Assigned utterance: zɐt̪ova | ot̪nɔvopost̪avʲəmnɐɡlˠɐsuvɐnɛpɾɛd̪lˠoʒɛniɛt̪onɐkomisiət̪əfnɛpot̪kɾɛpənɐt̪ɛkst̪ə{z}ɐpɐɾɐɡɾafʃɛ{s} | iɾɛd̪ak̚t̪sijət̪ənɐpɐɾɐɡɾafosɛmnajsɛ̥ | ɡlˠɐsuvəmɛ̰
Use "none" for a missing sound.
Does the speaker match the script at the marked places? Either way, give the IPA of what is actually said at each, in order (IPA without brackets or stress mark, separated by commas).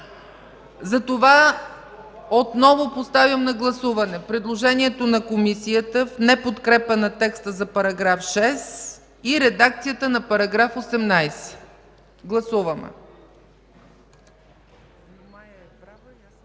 z, s